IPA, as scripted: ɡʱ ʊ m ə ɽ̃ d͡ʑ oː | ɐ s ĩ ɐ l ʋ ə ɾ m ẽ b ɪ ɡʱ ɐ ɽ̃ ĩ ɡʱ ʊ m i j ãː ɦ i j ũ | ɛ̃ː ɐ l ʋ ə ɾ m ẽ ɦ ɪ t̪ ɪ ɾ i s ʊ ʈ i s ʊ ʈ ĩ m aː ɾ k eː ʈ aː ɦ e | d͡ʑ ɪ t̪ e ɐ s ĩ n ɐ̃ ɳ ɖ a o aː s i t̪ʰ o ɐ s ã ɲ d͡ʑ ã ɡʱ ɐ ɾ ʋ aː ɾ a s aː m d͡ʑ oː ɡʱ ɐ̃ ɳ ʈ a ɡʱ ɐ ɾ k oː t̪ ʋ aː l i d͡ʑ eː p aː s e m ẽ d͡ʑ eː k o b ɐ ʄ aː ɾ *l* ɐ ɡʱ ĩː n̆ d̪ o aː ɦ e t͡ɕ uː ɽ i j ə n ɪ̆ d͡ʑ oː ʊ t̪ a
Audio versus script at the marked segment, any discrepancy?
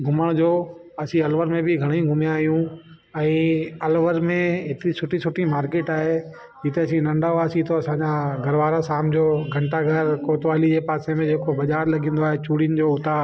no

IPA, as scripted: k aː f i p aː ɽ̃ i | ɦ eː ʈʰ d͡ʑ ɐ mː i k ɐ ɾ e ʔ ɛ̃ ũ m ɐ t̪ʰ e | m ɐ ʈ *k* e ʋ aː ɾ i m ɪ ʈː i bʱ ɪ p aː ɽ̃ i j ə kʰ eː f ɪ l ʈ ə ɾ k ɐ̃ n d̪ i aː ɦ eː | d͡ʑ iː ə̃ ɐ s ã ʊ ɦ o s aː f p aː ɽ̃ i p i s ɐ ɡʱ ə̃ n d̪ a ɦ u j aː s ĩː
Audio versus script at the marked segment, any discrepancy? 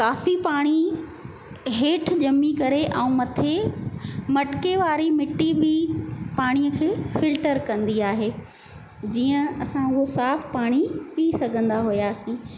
no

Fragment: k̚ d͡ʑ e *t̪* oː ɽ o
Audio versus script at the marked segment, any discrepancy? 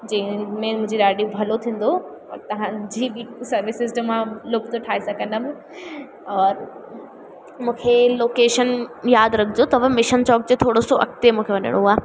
yes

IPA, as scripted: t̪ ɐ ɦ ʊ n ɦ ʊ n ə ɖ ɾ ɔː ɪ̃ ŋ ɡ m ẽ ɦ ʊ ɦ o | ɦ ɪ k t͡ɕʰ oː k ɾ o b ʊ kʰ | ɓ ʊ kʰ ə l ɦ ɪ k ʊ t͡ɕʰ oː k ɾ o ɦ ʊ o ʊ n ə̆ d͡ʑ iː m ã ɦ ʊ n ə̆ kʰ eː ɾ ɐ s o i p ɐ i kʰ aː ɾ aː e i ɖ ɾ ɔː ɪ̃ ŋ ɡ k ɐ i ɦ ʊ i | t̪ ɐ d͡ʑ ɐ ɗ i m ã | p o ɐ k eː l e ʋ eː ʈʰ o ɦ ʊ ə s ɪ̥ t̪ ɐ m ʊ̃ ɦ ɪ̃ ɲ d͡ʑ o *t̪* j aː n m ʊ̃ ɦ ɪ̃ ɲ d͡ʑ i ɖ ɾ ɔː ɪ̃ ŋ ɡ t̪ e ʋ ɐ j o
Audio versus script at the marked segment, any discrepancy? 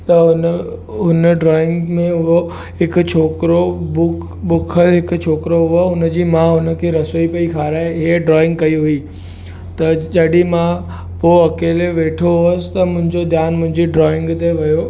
yes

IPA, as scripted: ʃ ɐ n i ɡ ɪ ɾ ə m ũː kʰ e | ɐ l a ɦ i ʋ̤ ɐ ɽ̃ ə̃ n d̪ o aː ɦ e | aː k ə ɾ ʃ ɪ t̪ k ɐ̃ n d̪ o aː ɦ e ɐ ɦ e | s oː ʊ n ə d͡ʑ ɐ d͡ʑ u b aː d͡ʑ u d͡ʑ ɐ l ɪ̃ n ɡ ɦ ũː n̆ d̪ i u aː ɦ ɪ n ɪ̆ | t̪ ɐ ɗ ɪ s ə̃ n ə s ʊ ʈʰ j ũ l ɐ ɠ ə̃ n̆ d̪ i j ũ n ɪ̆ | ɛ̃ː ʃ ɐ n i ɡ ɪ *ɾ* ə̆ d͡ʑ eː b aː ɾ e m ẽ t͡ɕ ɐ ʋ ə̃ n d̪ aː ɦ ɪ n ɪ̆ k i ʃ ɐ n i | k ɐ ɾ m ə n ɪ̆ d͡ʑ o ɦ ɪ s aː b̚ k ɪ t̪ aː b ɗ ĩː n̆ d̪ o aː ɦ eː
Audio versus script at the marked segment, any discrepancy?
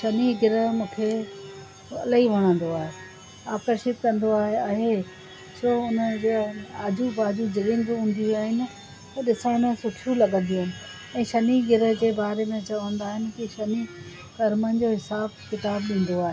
no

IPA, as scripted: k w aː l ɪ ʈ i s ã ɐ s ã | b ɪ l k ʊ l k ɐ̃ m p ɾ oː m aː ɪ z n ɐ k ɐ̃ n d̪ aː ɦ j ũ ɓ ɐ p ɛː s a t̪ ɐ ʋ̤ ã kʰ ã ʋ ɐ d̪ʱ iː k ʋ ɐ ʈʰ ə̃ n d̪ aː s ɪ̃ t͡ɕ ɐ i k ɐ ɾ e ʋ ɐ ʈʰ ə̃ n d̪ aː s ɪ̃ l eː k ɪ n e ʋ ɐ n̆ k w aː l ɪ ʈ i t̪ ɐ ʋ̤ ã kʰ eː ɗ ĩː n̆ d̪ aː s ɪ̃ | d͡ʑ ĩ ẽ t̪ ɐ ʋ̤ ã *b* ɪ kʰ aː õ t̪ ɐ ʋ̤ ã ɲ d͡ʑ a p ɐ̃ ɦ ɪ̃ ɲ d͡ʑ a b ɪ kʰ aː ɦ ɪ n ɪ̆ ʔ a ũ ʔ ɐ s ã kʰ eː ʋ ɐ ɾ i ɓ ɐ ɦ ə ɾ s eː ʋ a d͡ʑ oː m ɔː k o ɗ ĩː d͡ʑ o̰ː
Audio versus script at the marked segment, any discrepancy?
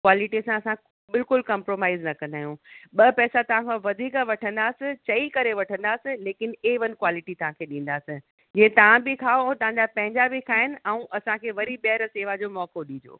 no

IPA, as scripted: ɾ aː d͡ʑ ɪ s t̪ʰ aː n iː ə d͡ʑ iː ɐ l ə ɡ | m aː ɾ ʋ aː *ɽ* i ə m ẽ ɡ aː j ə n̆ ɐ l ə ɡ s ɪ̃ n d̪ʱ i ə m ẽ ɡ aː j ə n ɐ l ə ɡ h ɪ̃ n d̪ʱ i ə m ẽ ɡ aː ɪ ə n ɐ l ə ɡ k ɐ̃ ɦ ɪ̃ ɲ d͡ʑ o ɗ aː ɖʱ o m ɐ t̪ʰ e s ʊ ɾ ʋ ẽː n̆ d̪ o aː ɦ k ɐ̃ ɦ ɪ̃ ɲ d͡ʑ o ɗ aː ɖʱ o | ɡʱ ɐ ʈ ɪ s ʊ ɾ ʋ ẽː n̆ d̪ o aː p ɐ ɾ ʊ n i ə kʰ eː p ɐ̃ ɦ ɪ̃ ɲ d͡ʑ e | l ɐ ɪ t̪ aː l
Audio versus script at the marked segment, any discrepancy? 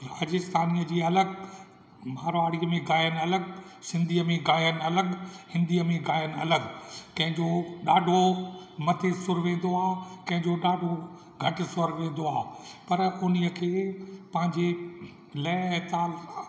no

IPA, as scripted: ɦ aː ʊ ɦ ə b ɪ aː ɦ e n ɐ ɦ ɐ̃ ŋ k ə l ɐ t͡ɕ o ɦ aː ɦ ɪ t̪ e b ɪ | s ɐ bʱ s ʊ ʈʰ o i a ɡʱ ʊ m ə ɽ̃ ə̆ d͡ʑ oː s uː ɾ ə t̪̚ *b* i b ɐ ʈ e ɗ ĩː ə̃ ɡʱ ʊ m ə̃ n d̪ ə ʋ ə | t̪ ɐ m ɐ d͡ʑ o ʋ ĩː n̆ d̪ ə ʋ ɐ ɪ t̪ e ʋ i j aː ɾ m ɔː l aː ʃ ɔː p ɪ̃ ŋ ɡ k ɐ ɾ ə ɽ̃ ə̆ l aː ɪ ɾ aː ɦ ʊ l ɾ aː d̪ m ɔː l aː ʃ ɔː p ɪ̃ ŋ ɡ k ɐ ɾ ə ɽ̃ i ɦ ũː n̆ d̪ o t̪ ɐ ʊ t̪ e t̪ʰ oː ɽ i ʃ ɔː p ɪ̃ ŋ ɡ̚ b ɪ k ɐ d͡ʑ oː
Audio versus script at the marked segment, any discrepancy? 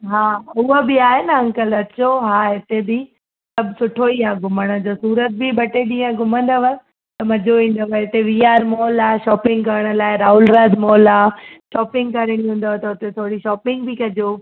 no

